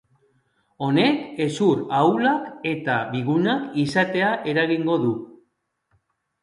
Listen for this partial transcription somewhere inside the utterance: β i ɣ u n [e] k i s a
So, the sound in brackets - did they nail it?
no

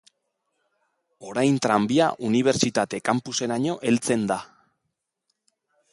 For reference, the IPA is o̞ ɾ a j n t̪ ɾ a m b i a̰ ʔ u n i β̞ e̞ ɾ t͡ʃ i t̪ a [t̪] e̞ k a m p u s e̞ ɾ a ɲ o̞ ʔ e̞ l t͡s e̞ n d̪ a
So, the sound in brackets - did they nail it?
yes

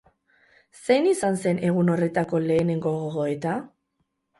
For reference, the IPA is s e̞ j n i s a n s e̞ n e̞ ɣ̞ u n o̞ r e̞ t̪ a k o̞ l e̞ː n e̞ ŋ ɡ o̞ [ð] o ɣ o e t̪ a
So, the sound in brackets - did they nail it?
no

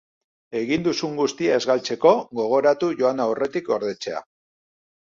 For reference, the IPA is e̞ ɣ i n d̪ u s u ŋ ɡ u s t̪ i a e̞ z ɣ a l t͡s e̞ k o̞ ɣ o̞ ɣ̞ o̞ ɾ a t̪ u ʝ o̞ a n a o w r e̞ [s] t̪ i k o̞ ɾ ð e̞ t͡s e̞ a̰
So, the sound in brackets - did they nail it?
no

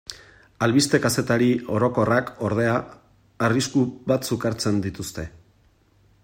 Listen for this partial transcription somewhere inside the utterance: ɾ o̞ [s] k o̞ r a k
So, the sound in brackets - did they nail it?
no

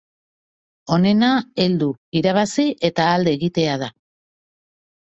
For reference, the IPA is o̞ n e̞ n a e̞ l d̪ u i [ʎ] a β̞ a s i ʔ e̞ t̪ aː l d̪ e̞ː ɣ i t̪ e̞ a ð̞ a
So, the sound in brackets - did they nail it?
no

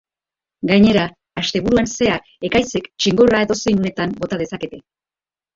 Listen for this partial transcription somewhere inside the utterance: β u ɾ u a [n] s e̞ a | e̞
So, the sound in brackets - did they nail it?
yes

